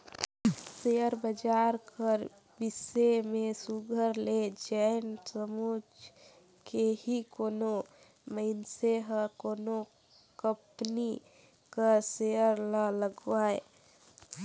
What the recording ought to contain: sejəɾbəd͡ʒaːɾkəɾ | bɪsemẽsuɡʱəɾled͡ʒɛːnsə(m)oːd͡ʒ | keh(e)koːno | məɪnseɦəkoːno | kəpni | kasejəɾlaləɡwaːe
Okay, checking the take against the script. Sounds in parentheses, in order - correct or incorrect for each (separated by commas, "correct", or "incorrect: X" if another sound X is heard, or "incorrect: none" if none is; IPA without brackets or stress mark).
correct, incorrect: i